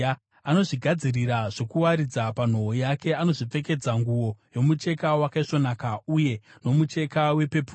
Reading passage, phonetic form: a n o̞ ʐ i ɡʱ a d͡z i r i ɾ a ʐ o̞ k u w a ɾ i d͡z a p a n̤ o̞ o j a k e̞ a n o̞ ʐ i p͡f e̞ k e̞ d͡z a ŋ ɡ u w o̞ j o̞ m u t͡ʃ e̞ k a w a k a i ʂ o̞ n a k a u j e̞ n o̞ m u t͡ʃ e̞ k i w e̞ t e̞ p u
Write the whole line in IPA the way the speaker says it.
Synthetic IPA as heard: a n o̞ ʐ i ɡʱ a d͡z i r i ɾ a ʐ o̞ k u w a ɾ i d͡z a p a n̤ o̞ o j a k e̞ a n o̞ ʐ i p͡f e̞ k e̞ d͡z a ŋ ɡ u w o̞ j o̞ m u t͡ʃ e̞ k a w a k a i ʂ o̞ n a k a u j e̞ n o̞ m u t͡ʃ e̞ k a w e̞ p e̞ p u